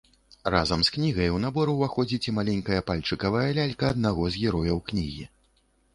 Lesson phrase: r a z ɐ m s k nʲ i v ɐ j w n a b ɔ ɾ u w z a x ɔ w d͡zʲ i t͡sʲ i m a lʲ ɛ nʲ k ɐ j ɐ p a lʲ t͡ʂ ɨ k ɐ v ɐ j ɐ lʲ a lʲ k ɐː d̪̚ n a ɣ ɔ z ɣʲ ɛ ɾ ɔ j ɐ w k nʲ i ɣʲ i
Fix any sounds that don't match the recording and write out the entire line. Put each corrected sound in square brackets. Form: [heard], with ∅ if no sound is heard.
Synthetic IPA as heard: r a z ɐ m s k nʲ i [ɣ] ɐ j w n a b ɔ ɾ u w [v] a x ɔ [∅] d͡zʲ i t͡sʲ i m a lʲ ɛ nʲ k ɐ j ɐ p a lʲ t͡ʂ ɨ k ɐ v ɐ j ɐ lʲ a lʲ k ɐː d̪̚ n a ɣ ɔ z ɣʲ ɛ ɾ ɔ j ɐ w k nʲ i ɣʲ i